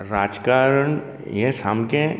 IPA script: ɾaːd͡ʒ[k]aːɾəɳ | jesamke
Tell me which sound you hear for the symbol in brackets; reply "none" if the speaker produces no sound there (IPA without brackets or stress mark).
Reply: k